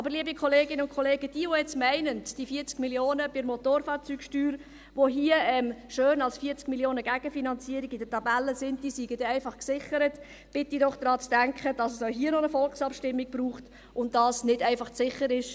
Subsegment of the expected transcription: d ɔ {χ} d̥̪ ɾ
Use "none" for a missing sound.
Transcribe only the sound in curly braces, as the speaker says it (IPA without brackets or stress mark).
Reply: χ